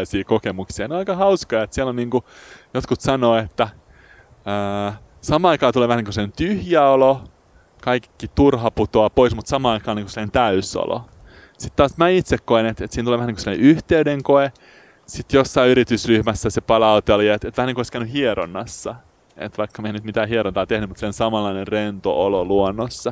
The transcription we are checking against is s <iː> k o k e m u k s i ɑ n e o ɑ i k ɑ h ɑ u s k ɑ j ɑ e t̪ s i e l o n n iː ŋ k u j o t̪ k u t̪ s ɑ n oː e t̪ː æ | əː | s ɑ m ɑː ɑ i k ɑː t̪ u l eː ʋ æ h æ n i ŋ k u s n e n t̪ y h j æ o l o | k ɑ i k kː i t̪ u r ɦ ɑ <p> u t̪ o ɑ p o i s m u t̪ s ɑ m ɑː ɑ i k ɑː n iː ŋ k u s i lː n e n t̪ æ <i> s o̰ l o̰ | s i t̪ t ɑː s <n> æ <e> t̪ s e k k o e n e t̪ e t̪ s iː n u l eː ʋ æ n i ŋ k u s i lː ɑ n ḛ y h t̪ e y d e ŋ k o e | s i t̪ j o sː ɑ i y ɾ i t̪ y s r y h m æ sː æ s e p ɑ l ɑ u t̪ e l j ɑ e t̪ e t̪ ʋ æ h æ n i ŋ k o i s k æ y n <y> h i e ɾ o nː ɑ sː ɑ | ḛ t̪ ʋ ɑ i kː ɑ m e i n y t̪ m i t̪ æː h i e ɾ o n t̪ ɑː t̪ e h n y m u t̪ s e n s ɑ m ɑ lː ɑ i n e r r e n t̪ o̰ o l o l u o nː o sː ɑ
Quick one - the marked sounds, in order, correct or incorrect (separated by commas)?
correct, correct, incorrect, incorrect, incorrect, correct